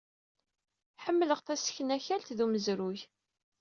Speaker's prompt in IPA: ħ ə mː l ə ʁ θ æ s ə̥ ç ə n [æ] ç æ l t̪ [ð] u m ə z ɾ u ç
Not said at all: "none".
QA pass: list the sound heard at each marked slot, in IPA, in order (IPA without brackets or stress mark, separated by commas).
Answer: æ, ð